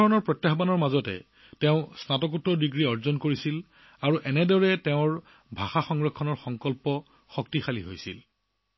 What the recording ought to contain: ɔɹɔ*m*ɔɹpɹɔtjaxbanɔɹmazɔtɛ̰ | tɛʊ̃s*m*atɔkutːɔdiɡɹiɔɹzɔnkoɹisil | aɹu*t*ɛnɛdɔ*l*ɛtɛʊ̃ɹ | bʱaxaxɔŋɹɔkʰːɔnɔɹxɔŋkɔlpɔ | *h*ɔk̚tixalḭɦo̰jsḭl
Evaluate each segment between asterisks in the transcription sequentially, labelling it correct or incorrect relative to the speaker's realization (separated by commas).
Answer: incorrect, incorrect, incorrect, incorrect, incorrect